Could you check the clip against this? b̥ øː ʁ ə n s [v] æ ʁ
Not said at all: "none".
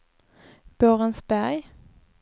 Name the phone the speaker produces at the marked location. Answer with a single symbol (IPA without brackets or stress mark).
b